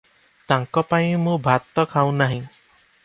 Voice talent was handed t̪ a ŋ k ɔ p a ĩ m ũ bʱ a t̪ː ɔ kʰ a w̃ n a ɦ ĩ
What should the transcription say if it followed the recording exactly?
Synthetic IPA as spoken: t̪ a ŋ k ɔ p a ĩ m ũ bʱ a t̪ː ɔ kʰ a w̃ n a ɦ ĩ